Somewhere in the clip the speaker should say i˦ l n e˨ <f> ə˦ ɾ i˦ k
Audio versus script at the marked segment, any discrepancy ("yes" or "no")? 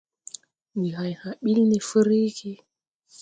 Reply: no